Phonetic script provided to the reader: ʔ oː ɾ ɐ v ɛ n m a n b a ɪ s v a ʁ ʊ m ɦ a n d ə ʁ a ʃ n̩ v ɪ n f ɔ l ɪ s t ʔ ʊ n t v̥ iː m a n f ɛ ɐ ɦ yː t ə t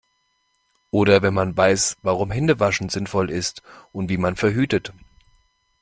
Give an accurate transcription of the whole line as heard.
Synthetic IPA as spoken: ʔ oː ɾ ɐ v ɛ n m a n v a ɪ s v a ʁ ʊ m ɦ ɛ n d ə v a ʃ n̩ z ɪ n f ɔ l ɪ s t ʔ ʊ n t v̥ iː m a n f ɛ ɐ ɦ yː t ə t